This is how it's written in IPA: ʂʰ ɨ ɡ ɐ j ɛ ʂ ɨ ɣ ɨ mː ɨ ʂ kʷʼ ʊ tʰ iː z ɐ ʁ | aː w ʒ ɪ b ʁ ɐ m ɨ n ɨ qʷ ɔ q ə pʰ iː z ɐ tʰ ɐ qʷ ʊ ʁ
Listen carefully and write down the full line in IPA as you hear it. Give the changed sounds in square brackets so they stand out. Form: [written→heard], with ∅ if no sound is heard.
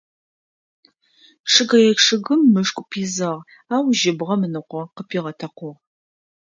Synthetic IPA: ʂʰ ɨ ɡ ɐ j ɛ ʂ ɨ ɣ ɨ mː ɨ ʂ kʷʼ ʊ [tʰ→pʰ] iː z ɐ ʁ | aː w ʒ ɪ b ʁ ɐ m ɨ n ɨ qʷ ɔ q ə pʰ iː [z→ʁ] ɐ tʰ ɐ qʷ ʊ ʁ